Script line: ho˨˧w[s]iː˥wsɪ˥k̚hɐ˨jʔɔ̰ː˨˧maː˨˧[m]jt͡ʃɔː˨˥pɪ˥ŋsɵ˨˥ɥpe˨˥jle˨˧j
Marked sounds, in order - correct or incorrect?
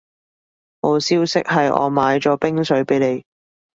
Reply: correct, incorrect

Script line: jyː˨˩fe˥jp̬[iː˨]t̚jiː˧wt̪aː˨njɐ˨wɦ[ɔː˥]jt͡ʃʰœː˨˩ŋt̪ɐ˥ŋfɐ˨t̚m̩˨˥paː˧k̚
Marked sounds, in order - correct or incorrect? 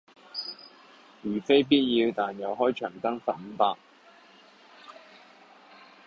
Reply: incorrect, correct

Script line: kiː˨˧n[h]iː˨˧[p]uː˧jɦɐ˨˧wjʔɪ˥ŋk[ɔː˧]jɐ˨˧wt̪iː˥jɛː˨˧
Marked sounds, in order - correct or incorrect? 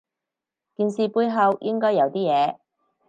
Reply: incorrect, correct, incorrect

